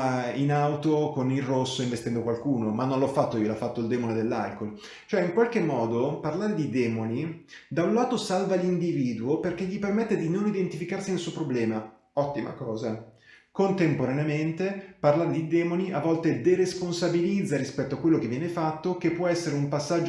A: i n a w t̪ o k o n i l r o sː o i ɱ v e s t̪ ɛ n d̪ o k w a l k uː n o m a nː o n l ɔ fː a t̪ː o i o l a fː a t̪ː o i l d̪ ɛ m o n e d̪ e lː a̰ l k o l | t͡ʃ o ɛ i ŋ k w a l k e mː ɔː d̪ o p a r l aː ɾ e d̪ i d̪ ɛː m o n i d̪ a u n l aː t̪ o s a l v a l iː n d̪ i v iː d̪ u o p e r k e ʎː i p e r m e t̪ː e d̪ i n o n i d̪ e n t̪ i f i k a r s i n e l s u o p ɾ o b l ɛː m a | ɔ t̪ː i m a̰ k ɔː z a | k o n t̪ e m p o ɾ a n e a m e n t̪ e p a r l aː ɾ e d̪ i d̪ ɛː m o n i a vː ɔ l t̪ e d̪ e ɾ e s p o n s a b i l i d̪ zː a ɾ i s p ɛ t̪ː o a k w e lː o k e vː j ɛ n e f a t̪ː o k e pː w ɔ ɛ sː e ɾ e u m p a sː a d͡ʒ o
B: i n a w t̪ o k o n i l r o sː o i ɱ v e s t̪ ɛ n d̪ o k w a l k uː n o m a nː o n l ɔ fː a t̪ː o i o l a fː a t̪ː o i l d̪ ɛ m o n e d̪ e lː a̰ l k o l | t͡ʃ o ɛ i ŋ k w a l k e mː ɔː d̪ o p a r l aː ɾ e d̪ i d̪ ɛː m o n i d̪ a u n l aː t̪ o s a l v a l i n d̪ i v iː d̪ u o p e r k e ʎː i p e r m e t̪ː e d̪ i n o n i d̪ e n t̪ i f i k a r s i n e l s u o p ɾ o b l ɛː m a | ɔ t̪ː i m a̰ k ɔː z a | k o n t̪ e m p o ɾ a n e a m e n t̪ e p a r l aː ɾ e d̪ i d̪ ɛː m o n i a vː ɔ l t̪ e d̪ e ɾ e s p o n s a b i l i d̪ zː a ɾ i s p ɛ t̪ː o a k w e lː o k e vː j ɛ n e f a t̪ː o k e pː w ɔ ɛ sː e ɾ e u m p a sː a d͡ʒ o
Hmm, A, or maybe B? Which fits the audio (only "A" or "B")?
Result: B